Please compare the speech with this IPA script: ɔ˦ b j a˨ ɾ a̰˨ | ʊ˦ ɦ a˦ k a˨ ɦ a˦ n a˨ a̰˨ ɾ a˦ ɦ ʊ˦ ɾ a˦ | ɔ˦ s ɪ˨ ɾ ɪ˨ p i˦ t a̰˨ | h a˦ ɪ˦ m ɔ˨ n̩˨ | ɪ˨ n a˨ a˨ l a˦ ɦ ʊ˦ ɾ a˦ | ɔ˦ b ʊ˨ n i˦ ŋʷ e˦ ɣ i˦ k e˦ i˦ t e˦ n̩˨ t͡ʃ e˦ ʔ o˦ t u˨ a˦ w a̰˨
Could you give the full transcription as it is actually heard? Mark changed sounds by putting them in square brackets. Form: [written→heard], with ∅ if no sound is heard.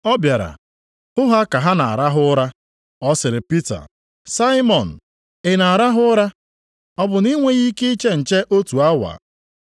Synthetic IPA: ɔ˦ b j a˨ ɾ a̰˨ | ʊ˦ ɦ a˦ k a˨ ɦ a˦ n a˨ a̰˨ ɾ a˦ ɦ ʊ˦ ɾ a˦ | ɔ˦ s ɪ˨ ɾ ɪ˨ p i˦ t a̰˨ | [h→s] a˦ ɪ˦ m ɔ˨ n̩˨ | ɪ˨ n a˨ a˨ [l→ɾ] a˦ ɦ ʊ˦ ɾ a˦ | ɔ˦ b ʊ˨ n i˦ ŋʷ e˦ ɣ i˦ k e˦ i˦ [t→t͡ʃ] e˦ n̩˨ t͡ʃ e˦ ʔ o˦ t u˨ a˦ w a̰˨